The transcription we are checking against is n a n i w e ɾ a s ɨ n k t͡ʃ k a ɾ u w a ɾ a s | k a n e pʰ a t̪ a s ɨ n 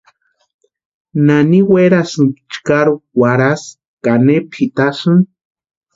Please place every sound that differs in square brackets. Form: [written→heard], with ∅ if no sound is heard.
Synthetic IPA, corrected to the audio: n a n i w e ɾ a s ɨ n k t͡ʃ k a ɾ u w a ɾ a s | k a n e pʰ [a→i] t̪ a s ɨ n